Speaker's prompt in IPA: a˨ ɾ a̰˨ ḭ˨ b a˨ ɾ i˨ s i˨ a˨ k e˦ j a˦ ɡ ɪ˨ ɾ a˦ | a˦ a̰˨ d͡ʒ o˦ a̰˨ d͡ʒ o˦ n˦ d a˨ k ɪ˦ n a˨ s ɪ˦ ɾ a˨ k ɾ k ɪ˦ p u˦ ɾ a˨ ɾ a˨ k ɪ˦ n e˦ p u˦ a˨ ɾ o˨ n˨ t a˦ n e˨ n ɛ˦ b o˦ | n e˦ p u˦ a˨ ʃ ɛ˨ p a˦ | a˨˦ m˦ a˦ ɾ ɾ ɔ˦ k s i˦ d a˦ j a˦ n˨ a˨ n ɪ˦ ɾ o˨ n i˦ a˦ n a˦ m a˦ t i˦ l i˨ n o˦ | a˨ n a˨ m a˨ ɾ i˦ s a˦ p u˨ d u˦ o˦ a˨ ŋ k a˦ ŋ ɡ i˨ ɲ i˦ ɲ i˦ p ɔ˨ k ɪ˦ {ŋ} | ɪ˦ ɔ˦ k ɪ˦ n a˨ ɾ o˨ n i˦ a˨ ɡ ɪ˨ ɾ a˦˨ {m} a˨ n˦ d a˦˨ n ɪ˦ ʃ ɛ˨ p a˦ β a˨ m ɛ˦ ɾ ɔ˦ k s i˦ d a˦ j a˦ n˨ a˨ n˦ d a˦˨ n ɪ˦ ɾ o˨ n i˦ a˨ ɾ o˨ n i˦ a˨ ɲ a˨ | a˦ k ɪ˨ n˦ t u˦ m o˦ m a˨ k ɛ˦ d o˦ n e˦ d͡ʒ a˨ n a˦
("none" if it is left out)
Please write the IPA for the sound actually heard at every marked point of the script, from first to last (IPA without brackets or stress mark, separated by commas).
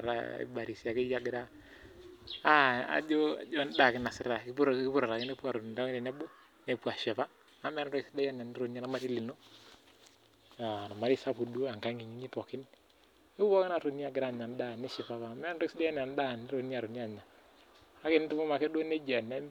n, ɲ